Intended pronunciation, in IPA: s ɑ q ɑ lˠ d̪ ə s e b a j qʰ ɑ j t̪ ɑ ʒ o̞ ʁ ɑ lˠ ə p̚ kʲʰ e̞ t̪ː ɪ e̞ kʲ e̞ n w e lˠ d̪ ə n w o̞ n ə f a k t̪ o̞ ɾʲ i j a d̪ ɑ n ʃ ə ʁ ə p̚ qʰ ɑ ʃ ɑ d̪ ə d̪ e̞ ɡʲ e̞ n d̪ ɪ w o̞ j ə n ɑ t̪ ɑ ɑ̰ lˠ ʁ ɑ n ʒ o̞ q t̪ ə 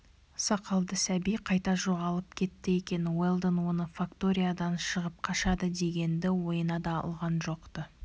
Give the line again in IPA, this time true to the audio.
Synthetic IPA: s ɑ q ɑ lˠ d̪ ə s æ b i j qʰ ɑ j t̪ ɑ ʒ o̞ ʁ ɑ lˠ ə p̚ kʲʰ e̞ t̪ː ɪ e̞ kʲ e̞ n w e lˠ d̪ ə n w o̞ n ə f a k t̪ o̞ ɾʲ i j a d̪ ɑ n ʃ ə ʁ ə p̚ qʰ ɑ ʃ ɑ d̪ ə d̪ e̞ ɡʲ e̞ n d̪ ɪ w o̞ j ə n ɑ d̪ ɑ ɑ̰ lˠ ʁ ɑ n ʒ o̞ q t̪ ə

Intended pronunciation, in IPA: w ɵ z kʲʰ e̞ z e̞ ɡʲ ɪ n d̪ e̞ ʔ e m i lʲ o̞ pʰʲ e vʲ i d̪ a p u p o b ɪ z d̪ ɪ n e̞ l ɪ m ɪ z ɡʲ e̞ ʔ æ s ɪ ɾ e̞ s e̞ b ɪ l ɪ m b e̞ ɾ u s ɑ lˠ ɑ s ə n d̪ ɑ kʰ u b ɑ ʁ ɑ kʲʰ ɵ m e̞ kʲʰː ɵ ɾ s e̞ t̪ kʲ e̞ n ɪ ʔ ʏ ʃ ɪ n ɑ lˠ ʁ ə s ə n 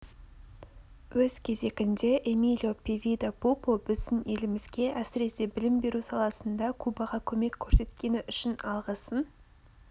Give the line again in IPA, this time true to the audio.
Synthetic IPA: w ɵ z kʲʰ e̞ z e̞ ɡʲ ɪ n d̪ e̞ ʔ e m i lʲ o̞ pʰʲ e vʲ i d̪ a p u p o b ɪ z d̪ ɪ n e̞ l ɪ m ɪ z ɡʲ e̞ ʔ æ s ɪ ɾ e̞ s e̞ b ɪ l ɪ m b e̞ ɾ u s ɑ lˠ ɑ s ə n d̪ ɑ kʰ u b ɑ ʁ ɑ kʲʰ ɵ m e̞ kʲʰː ɵ ɾ s e̞ t̪ kʲ e̞ n ɪ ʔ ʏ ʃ ɪ n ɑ lˠ ʁ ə s ə n

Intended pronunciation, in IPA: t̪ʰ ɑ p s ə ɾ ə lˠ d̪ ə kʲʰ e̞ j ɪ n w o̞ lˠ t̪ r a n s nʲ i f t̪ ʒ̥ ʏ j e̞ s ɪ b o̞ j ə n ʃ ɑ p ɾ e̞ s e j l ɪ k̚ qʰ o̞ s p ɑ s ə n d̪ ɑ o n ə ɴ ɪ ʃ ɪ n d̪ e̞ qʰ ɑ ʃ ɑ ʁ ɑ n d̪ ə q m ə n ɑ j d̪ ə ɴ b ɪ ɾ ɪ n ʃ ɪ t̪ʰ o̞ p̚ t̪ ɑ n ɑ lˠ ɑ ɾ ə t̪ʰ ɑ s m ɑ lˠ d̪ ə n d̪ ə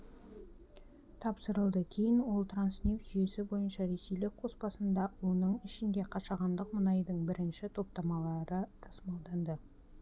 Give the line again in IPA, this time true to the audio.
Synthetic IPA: t̪ʰ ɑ p s ə ɾ ə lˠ d̪ ə kʲʰ e̞ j ɪ n w o̞ lˠ t̪ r a n s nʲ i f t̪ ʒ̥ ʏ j e̞ s ɪ b o̞ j ə n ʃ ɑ ɾ e̞ s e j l ɪ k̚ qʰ o̞ s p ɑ s ə n d̪ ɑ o n ə ɴ ɪ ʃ ɪ n d̪ e̞ qʰ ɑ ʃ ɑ ʁ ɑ n d̪ ə q m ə n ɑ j d̪ ə ɴ b ɪ ɾ ɪ n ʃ ɪ t̪ʰ o̞ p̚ t̪ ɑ m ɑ lˠ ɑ ɾ ə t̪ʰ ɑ s m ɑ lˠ d̪ ɑ n d̪ ə

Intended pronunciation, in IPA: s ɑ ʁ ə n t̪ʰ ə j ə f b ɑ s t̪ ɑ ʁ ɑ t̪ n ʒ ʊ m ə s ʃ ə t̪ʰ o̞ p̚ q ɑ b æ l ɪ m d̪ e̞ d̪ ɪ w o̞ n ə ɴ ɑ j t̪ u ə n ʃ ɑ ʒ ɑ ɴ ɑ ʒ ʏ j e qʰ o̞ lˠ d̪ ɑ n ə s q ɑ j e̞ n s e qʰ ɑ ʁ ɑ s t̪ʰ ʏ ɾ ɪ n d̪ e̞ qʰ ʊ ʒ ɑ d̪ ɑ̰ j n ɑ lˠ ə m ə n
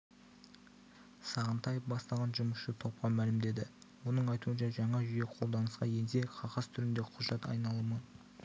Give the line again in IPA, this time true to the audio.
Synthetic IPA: s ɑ ʁ ə n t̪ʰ ɑ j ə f b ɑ s t̪ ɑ ʁ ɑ n ʒ ʊ m ə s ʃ ə t̪ʰ o̞ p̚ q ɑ m æ l ɪ m d̪ e̞ d̪ ɪ w o̞ n ə ɴ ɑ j t̪ u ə n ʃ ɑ ʒ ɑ ɴ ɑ ʒ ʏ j e qʰ o̞ lˠ d̪ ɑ n ə s q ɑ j e̞ n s e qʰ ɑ ʁ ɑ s t̪ʰ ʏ ɾ ɪ n d̪ e̞ qʰ ʊ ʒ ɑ t̪ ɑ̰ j n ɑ lˠ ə m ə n

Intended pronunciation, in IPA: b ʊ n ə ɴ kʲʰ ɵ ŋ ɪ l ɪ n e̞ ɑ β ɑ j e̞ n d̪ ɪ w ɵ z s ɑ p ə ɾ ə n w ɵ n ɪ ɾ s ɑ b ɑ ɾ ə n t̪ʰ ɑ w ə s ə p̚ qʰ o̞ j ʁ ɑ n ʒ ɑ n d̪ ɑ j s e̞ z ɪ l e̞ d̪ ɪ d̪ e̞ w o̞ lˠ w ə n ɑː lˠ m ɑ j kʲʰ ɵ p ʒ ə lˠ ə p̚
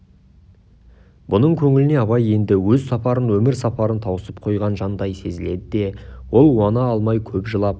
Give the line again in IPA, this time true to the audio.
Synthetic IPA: b ʊ n ə ɴ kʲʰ ɵ ŋ ɪ l ɪ n e̞ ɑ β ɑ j e̞ n d̪ ɪ w ɵ z s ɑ p ɑ ɾ ə n w ɵ m ɪ ɾ s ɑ p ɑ ɾ ə n t̪ʰ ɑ w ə s ə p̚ qʰ o̞ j ʁ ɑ n ʒ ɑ n d̪ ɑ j s e̞ z ɪ l e̞ d̪ ɪ d̪ e̞ w o̞ lˠ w ɑ n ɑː lˠ m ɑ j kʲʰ ɵ p ʒ ə lˠ ɑ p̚

